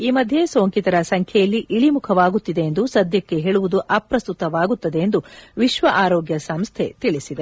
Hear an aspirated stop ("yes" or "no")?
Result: yes